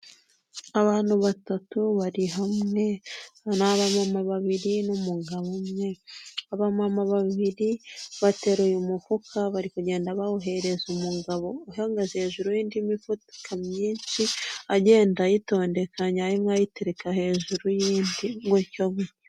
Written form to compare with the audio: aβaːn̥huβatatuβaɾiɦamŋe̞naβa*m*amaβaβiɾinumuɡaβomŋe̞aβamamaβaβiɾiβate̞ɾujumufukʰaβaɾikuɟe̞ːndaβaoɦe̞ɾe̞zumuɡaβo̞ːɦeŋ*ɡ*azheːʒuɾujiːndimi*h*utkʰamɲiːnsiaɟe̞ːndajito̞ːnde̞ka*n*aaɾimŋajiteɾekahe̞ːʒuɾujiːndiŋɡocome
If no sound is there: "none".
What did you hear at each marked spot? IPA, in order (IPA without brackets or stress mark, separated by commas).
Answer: m, ɡ, f, ɲ